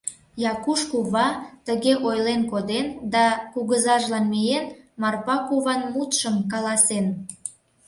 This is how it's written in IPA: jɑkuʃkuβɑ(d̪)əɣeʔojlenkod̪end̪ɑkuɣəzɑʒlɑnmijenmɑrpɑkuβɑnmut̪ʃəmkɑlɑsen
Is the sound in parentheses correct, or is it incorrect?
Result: incorrect